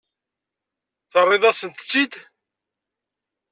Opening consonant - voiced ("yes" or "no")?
no